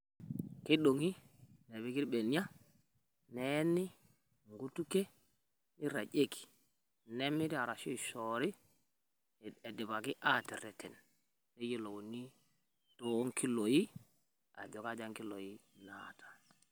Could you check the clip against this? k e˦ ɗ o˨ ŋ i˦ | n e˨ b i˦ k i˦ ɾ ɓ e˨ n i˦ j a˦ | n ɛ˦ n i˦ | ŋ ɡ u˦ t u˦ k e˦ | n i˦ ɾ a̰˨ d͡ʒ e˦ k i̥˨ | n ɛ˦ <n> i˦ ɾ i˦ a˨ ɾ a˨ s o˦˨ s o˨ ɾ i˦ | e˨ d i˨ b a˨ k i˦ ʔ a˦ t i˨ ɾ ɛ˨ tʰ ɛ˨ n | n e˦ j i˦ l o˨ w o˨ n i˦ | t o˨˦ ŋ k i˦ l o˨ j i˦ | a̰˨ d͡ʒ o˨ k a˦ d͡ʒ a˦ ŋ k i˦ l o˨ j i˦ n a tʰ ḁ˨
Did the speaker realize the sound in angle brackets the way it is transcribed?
no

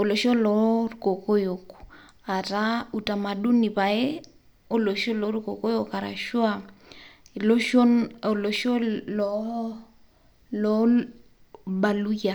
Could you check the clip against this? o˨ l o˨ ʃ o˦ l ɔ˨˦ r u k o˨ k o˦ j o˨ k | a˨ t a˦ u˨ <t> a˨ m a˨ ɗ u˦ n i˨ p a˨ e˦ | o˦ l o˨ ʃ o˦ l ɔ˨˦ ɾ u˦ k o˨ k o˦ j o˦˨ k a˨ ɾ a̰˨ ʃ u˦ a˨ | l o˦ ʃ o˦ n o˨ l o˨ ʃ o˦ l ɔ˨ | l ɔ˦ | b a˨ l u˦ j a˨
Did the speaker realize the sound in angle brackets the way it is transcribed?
yes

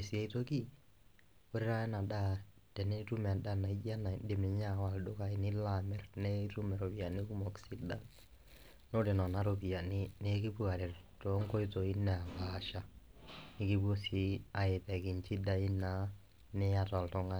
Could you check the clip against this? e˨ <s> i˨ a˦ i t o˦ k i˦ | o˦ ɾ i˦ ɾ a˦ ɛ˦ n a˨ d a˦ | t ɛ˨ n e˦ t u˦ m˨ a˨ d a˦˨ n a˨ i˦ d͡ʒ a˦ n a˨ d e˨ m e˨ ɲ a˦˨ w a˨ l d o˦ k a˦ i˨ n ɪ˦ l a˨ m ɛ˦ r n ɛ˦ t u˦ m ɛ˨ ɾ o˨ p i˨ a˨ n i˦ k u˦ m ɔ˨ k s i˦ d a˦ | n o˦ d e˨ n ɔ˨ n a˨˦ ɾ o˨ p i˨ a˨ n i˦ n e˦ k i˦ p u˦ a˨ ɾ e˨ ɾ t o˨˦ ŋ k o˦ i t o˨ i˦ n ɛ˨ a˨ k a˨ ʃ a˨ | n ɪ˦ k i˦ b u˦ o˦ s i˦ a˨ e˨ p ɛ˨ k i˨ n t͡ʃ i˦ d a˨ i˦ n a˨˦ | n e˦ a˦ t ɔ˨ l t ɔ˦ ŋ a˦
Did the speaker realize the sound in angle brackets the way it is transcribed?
yes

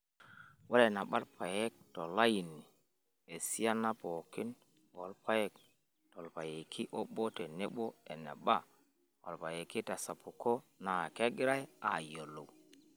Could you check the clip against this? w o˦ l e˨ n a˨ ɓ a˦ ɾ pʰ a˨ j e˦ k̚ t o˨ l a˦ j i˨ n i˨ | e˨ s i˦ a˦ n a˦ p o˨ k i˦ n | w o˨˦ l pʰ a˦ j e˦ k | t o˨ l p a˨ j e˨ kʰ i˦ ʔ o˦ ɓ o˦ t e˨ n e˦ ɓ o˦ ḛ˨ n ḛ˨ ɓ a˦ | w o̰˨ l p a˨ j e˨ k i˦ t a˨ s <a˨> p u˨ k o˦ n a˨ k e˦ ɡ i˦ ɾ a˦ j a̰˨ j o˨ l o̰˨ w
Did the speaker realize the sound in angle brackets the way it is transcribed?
yes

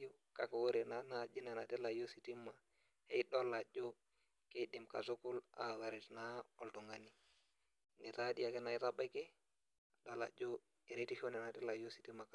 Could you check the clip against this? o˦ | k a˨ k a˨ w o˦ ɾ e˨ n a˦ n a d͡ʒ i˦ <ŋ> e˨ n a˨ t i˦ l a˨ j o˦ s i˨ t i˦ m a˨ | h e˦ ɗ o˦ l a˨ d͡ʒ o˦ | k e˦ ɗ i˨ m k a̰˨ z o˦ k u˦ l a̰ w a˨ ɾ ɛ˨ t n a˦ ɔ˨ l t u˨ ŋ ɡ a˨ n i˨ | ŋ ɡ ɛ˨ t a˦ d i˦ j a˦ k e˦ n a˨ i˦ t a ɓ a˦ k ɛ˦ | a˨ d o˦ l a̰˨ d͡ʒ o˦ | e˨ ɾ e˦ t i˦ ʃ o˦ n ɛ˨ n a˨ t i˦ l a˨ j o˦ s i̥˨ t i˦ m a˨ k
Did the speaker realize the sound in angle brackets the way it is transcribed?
no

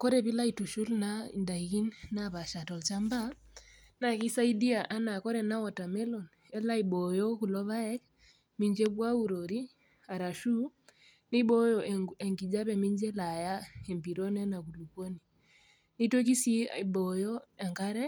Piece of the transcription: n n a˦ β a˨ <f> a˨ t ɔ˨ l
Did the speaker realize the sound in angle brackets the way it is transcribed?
no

